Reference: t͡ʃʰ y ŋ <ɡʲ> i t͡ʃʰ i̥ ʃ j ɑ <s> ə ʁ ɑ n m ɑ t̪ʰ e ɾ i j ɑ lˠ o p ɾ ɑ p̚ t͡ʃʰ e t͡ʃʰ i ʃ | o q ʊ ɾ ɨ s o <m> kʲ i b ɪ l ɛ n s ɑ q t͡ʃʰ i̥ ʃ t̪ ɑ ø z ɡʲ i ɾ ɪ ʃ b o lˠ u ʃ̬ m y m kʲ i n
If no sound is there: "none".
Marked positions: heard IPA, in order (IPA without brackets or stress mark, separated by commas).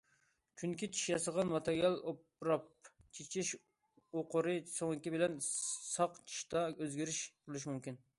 kʲ, s, ŋ